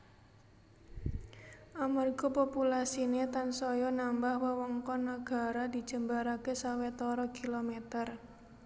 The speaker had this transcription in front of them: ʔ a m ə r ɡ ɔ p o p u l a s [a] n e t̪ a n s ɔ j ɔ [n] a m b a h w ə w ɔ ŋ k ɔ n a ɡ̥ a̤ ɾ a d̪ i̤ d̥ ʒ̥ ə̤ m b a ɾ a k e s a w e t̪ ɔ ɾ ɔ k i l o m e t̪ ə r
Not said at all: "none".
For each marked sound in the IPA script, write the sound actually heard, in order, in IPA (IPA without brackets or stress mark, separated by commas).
i, n